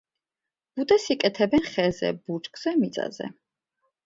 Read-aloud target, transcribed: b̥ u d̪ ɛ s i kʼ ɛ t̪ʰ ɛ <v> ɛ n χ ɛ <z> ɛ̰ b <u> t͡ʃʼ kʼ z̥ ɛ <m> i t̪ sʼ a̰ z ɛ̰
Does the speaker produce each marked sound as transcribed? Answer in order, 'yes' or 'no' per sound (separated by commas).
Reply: no, yes, yes, yes